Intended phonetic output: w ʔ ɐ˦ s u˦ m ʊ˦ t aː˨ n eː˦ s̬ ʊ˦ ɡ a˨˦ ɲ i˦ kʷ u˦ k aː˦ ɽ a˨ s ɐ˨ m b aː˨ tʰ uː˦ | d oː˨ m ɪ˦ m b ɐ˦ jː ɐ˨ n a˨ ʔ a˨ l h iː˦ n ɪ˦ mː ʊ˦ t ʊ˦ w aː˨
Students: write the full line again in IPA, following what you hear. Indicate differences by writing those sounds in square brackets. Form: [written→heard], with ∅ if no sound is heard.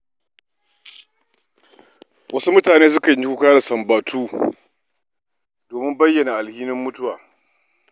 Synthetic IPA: w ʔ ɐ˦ s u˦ m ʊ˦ t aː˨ n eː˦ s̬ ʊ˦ [ɡ→k] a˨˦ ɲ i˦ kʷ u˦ k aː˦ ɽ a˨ s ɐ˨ m b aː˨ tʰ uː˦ | d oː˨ m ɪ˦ m b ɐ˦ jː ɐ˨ n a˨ ʔ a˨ l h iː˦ n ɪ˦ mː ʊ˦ t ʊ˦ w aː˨